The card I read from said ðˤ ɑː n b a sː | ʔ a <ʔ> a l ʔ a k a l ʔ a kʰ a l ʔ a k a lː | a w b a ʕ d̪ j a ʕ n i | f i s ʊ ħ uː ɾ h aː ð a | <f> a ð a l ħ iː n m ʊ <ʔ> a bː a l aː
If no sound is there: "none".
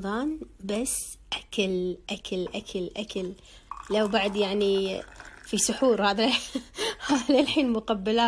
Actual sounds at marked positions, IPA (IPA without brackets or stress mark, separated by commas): k, h, q